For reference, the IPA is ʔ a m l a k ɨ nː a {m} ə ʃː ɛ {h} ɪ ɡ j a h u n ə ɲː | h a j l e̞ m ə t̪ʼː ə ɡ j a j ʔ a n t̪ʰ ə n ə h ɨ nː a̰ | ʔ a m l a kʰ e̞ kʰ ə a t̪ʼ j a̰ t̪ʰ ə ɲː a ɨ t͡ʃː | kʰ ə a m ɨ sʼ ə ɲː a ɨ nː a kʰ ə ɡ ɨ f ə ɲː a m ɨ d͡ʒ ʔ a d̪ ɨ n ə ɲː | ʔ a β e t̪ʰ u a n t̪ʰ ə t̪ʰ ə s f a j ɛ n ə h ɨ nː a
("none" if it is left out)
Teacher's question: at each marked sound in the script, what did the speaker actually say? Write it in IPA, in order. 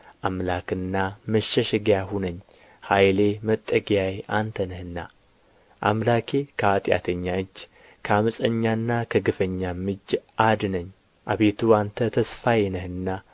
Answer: m, ʃ

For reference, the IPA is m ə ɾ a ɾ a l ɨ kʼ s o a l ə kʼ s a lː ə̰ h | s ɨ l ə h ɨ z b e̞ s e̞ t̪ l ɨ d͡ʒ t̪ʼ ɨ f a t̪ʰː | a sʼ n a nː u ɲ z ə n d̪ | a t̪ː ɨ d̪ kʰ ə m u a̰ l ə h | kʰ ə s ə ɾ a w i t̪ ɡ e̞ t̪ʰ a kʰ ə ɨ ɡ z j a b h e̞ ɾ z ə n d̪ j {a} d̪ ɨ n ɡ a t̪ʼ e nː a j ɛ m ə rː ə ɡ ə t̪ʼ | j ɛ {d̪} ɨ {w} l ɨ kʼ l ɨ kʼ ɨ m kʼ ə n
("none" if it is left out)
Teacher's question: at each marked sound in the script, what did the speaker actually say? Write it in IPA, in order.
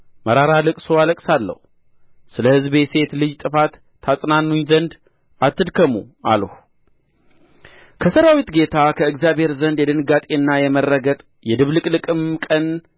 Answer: ɛ, d̪, β

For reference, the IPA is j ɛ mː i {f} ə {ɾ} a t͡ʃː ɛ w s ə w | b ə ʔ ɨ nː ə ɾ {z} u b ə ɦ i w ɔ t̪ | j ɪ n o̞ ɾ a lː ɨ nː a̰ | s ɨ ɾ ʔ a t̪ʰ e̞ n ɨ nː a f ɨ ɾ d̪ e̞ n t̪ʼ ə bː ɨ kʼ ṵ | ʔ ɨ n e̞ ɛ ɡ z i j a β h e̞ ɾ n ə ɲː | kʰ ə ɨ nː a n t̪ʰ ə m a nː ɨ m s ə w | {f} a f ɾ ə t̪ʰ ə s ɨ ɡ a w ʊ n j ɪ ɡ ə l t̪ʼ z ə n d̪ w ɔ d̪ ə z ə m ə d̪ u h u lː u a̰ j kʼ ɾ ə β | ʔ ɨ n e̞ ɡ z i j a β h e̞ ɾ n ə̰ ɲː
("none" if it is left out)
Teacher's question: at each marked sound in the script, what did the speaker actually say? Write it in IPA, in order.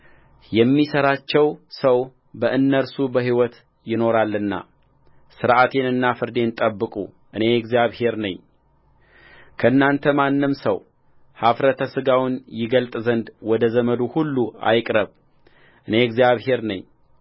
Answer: s, ɾ, s, h

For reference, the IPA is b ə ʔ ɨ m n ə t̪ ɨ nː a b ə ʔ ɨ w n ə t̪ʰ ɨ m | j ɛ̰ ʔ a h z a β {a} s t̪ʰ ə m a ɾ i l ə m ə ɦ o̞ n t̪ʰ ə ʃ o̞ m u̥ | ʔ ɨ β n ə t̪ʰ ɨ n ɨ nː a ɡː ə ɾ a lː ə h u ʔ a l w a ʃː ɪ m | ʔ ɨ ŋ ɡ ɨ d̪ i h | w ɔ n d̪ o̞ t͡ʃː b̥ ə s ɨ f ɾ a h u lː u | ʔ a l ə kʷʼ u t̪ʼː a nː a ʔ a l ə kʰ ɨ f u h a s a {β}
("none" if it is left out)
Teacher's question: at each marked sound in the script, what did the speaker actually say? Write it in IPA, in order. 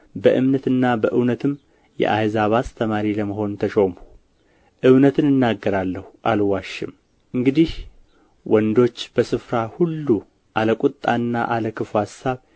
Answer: a, β

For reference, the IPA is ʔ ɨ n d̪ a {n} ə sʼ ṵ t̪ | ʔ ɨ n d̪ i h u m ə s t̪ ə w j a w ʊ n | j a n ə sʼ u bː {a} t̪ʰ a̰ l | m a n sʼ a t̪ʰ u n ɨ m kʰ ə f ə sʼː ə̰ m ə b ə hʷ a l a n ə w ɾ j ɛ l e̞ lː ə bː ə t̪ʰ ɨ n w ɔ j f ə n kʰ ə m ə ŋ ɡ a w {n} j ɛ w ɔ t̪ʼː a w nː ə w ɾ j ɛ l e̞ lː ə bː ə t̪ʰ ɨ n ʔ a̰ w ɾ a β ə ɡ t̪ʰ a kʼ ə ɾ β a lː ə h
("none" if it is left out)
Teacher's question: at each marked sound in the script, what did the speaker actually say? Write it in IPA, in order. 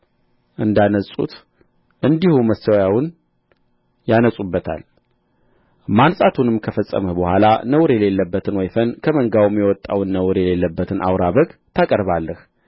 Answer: n, ə, m

